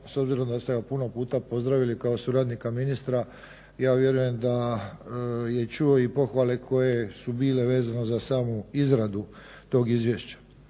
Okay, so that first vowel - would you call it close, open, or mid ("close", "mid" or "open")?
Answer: mid